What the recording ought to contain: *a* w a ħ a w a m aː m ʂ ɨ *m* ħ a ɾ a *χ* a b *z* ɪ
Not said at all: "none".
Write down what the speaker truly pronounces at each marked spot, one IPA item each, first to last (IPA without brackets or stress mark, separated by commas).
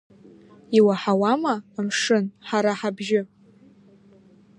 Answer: i, n, ħ, ʒ